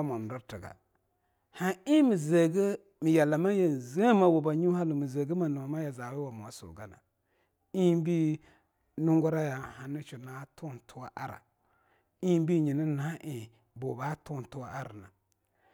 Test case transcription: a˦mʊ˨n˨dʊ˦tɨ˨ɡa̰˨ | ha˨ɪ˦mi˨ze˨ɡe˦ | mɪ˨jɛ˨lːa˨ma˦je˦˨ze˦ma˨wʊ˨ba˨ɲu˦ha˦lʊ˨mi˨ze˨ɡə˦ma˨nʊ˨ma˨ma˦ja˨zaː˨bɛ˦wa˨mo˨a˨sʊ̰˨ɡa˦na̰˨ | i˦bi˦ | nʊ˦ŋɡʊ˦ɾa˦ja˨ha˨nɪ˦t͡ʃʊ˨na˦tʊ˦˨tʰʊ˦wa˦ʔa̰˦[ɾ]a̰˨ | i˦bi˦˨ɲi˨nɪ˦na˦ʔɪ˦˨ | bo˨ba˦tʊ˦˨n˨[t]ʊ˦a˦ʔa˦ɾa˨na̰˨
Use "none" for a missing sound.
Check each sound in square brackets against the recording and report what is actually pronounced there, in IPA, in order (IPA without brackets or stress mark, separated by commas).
ɾ, t